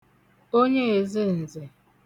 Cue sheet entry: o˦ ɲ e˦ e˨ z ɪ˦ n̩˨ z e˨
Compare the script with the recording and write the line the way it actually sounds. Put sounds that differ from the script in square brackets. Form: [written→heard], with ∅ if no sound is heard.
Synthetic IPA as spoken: o˦ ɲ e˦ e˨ z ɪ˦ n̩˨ z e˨